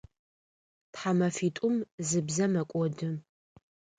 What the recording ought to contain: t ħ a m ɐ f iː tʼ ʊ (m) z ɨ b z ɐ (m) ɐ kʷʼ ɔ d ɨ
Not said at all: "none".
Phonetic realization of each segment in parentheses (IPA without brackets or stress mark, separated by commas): m, m